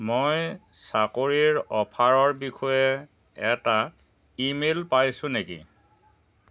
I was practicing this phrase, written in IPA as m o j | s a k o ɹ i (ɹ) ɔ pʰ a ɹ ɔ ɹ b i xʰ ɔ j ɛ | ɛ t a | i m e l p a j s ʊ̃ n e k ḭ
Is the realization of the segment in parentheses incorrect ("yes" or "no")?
no